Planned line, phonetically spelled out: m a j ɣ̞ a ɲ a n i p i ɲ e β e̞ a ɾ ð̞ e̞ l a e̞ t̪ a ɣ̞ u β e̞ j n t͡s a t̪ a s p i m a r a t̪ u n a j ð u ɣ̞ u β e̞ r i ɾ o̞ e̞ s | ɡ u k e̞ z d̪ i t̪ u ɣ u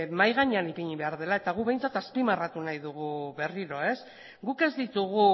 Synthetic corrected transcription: m a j ɣ̞ a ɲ a n i p i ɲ i β e̞ a ɾ ð̞ e̞ l a e̞ t̪ a ɣ̞ u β e̞ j n t͡s a t̪ a s p i m a r a t̪ u n a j ð u ɣ̞ u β e̞ r i ɾ o̞ e̞ s | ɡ u k e̞ z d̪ i t̪ u ɣ u